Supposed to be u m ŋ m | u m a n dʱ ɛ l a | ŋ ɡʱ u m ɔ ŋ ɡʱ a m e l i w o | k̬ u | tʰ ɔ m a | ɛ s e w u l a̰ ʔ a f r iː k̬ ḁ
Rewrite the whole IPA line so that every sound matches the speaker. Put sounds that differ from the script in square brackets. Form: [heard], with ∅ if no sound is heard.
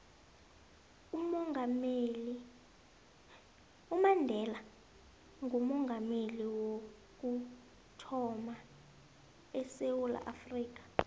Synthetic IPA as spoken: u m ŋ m | u m a n dʱ ɛ l a | ŋ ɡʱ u m ɔ ŋ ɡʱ a m e l i w o | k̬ u | tʰ ɔ m a | ɛ s e w u l a̰ ʔ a f r iː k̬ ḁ

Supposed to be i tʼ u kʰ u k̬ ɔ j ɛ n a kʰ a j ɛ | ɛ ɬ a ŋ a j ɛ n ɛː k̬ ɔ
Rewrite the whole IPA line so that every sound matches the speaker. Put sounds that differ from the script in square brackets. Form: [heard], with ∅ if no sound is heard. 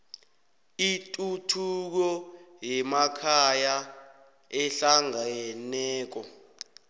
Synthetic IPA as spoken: i tʼ u [tʰ] u k̬ ɔ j ɛ [m] a kʰ a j [a] | ɛ ɬ a ŋ a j ɛ n ɛː k̬ ɔ

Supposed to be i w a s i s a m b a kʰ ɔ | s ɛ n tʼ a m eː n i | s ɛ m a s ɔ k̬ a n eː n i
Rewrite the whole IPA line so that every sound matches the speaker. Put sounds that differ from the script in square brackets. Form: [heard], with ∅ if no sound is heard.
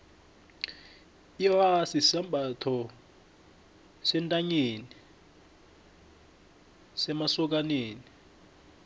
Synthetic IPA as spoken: i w a s i s a m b a [tʰ] ɔ | s ɛ n tʼ a [ɲ] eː n i | s ɛ m a s ɔ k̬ a n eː n i

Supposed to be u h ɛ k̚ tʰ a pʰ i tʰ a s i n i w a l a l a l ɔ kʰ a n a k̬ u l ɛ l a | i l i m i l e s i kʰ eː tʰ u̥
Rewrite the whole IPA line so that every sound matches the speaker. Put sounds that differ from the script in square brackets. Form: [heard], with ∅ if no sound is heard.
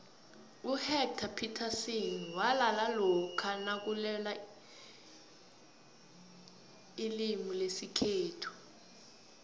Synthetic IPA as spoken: u h ɛ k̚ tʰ a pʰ i tʰ a s i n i w a l a l a l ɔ kʰ a n a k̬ u l ɛ l a | i l i m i l e s i kʰ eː tʰ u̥

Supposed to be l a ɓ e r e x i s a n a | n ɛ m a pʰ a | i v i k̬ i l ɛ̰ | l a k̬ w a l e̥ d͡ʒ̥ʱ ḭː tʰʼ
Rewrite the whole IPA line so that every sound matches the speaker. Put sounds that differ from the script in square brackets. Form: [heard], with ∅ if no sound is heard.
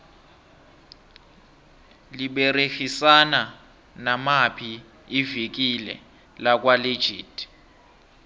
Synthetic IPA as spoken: l [i] ɓ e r e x i s a n a | n [a] m a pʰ [i] | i v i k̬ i l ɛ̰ | l a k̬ w a l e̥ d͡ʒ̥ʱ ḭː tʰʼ

